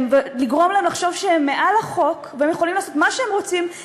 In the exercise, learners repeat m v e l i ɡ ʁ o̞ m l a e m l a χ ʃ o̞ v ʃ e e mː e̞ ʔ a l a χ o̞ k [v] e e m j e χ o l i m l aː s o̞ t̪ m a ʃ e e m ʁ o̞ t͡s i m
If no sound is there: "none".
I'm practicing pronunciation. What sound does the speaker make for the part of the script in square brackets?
v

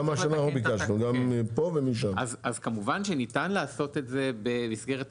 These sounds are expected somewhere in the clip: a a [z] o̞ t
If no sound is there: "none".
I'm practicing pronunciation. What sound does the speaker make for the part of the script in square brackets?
s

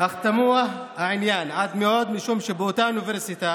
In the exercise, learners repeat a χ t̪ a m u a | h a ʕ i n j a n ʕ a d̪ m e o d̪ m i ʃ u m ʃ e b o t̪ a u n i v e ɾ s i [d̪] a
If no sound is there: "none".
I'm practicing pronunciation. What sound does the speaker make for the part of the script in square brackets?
t̪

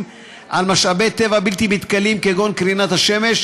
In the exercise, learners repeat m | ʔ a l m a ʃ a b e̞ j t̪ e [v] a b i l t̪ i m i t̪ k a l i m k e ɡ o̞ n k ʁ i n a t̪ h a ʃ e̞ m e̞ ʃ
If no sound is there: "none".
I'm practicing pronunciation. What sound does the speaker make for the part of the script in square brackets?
v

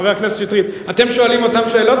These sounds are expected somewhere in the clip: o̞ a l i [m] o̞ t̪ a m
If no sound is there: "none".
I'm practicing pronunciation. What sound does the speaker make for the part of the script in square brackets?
m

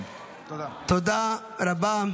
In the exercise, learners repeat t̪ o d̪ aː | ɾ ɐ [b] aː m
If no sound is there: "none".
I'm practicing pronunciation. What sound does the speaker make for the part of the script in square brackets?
b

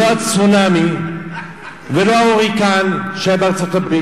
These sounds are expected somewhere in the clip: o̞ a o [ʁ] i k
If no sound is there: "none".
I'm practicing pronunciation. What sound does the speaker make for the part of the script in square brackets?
ʁ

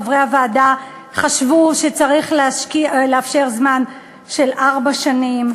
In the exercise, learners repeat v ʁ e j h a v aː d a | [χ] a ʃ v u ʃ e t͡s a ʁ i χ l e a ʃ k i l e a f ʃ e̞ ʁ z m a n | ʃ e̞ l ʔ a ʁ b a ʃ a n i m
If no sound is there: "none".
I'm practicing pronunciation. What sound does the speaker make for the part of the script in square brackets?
χ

